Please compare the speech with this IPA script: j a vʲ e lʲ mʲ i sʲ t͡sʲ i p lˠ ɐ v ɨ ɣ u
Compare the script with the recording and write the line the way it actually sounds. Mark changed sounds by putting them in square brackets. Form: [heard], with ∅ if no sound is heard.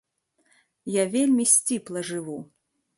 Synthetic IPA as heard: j a vʲ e lʲ mʲ i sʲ t͡sʲ i p lˠ ɐ [ʐ] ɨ [v] u